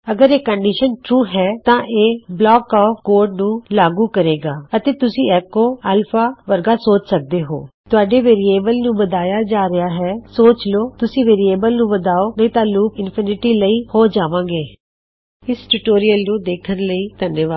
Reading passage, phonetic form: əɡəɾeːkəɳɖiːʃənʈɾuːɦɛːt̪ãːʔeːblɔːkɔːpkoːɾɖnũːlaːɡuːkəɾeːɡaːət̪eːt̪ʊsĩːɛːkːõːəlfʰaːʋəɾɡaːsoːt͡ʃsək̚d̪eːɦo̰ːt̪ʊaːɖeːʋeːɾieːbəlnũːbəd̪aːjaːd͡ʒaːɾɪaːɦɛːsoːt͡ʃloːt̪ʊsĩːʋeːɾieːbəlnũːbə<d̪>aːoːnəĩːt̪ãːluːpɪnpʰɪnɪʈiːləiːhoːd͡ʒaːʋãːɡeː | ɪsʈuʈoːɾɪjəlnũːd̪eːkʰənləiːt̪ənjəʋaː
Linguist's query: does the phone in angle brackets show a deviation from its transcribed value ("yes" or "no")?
no